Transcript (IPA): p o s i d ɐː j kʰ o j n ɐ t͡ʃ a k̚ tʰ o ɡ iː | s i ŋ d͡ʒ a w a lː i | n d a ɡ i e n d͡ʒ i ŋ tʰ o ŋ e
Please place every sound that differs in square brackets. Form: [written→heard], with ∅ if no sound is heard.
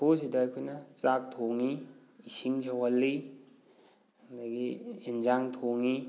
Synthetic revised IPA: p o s i d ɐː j kʰ o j n ɐ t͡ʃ a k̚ tʰ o [ɡ→ŋ] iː | s i ŋ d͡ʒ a w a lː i | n d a ɡ i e n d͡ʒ [i→a] ŋ tʰ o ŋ [e→i]